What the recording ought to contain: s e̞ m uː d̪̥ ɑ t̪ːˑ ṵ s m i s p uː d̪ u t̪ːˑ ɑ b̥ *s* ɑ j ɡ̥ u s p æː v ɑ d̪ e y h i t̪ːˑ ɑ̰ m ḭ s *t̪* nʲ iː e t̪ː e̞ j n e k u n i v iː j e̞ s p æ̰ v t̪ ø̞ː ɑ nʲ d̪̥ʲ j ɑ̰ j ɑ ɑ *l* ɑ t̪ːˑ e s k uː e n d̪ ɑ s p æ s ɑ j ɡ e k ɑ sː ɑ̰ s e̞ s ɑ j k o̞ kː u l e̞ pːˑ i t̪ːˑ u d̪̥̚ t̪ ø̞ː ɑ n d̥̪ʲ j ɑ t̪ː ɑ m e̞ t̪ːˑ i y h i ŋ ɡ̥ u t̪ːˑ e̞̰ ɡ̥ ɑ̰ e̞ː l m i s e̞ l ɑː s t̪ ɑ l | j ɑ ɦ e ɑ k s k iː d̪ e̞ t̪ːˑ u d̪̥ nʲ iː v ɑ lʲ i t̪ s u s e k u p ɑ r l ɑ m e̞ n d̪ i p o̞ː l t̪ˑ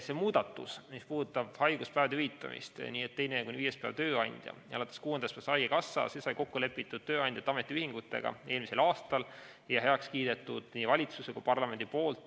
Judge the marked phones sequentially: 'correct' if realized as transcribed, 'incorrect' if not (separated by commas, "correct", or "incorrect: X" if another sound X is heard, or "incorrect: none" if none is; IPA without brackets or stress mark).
incorrect: h, correct, correct